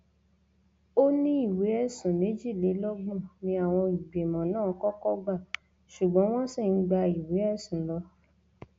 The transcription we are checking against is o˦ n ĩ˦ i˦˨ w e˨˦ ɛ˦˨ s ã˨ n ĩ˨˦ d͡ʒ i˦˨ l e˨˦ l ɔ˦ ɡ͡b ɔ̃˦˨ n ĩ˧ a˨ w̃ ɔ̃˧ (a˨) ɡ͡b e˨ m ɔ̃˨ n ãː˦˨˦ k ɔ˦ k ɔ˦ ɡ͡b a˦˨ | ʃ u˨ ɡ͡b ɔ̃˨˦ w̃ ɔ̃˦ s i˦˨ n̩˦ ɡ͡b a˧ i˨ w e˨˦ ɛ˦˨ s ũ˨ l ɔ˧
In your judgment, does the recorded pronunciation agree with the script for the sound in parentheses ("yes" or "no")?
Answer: no